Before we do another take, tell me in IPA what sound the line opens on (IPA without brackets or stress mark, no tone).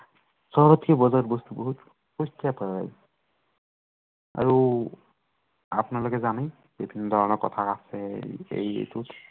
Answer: s